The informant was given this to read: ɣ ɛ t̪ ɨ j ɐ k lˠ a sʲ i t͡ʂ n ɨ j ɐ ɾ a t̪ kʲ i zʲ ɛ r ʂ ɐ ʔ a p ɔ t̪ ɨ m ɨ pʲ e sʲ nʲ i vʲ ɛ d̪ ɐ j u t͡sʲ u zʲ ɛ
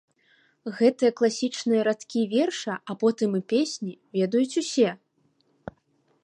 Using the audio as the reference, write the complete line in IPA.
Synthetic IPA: ɣ ɛ t̪ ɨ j ɐ k lˠ a sʲ i t͡ʂ n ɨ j ɐ ɾ a t̪ kʲ i vʲ ɛ r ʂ ɐ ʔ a p ɔ t̪ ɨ m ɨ pʲ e sʲ nʲ i vʲ ɛ d̪ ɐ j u t͡sʲ u sʲ ɛ